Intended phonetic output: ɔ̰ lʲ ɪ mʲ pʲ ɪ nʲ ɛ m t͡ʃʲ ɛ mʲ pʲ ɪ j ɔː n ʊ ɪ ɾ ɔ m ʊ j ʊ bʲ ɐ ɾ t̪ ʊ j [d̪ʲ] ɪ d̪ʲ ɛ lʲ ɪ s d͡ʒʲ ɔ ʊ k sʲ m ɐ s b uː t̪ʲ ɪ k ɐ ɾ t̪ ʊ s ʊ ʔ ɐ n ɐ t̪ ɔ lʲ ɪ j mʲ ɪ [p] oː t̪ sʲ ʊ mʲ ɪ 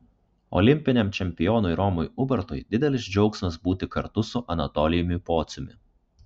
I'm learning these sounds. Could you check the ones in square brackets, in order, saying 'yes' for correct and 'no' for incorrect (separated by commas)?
yes, yes